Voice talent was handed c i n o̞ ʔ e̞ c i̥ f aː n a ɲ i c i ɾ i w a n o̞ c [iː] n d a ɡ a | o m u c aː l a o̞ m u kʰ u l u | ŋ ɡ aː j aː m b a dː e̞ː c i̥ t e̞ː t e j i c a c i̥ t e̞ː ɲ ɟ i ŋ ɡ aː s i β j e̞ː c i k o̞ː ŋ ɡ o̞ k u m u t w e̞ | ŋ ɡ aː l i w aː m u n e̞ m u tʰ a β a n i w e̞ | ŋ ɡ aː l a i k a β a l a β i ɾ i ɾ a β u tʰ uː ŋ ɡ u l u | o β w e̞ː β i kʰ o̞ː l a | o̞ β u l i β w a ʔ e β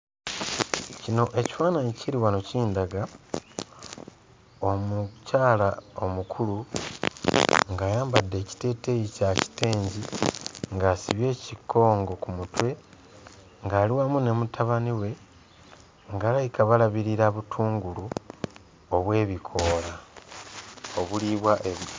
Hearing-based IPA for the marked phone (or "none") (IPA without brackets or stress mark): iː